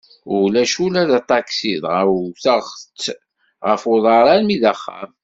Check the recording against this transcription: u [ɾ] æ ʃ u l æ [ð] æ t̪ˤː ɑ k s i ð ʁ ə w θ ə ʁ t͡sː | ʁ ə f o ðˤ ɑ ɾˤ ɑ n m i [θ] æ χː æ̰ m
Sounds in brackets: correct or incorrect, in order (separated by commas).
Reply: incorrect, correct, incorrect